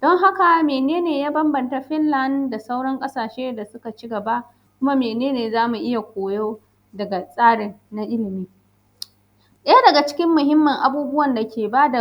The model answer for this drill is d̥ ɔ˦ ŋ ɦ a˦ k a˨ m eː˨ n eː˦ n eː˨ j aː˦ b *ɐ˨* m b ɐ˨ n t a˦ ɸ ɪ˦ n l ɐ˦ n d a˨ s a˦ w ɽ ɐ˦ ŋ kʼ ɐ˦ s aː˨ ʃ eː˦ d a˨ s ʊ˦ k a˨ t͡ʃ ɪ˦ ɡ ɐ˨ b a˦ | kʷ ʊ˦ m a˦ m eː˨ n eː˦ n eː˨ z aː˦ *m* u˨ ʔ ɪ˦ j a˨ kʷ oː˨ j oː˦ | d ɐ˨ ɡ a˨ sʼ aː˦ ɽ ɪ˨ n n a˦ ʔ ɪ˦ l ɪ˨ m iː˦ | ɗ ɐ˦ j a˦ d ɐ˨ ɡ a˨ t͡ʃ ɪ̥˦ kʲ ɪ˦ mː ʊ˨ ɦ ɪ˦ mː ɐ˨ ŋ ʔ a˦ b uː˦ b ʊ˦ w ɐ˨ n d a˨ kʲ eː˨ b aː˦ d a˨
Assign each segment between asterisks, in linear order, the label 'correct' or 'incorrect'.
incorrect: ɐ˦, correct

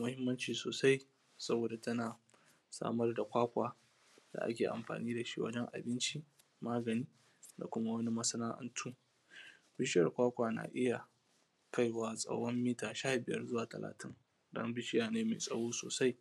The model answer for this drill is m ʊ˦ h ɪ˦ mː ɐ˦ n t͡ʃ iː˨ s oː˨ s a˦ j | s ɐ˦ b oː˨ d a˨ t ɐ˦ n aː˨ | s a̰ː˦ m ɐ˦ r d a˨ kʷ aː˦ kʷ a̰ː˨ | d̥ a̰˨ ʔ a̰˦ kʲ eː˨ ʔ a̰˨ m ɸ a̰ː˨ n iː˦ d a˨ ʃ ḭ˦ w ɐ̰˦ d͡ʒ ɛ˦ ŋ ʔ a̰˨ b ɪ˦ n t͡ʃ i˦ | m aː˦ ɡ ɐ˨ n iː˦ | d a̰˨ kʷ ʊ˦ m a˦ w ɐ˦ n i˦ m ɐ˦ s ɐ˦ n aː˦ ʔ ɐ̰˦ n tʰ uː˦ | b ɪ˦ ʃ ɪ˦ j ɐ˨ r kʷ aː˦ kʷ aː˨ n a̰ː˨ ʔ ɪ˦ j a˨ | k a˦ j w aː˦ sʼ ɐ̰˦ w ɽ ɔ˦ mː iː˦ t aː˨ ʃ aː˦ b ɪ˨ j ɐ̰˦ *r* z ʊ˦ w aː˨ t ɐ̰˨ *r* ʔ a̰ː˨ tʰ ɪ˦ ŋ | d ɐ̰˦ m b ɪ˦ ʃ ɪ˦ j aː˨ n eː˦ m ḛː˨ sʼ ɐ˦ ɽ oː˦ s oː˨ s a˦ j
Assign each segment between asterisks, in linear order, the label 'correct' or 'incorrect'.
correct, incorrect: l

